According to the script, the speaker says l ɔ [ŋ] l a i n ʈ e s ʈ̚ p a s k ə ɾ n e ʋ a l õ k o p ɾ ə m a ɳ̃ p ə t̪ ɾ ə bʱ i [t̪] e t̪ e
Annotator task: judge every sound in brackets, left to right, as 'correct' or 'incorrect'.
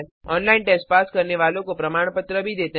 incorrect, incorrect

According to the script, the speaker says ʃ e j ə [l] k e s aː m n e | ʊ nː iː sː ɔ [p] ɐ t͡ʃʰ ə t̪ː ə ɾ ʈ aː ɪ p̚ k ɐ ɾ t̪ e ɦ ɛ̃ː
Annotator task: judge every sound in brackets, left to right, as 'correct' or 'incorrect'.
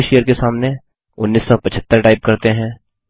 incorrect, correct

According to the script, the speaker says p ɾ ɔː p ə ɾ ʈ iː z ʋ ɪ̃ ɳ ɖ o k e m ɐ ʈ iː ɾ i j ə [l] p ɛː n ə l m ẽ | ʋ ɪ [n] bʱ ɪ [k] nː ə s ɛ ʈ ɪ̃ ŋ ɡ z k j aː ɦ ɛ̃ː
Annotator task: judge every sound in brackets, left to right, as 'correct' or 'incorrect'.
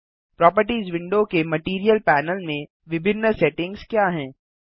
correct, incorrect, incorrect

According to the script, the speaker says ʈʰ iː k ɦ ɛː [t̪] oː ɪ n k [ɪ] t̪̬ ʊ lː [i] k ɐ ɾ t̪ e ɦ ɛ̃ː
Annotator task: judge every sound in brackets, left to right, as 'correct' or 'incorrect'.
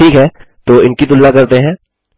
correct, incorrect, incorrect

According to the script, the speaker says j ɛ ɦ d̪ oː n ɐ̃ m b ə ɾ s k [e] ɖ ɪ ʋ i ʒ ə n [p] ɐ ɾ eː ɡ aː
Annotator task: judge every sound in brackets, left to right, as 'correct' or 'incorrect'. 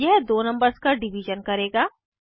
incorrect, incorrect

